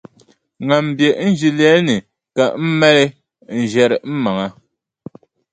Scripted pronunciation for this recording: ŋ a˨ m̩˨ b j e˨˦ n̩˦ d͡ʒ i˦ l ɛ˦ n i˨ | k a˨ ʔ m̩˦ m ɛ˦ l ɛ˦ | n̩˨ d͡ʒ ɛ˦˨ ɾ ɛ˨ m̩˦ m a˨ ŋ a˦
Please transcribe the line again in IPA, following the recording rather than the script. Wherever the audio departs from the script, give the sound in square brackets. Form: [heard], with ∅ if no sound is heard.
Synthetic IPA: ŋ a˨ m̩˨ b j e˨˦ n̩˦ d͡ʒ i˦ l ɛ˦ n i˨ | k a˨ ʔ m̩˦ m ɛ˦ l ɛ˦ | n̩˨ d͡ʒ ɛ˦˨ ɾ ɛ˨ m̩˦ m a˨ ŋ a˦